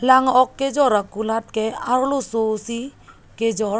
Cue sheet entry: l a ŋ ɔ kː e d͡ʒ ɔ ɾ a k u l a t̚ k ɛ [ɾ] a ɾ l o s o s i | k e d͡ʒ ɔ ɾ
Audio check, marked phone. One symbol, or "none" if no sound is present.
none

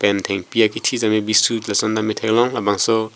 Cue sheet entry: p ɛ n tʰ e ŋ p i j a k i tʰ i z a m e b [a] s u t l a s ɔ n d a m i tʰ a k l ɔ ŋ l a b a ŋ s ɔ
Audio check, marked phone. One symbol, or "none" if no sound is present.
i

